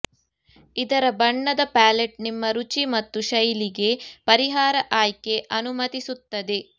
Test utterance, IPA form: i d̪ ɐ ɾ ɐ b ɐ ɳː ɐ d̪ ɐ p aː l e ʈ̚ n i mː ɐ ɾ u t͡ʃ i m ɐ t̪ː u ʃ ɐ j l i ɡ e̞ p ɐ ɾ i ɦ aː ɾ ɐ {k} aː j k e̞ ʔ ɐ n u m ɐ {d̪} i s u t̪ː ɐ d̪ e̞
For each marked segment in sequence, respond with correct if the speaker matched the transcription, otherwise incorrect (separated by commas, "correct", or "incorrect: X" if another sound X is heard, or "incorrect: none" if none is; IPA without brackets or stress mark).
incorrect: ʔ, incorrect: t̪